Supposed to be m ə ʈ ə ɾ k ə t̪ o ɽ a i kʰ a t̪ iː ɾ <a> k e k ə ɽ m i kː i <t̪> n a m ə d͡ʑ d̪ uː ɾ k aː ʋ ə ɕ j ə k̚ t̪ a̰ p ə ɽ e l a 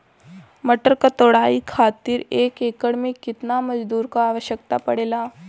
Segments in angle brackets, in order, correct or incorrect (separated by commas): incorrect, correct